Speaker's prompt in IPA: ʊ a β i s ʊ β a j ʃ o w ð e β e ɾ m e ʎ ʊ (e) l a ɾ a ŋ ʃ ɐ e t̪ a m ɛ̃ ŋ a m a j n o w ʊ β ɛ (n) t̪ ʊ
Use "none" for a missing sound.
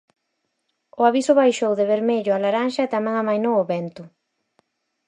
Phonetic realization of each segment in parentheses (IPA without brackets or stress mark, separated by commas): a, n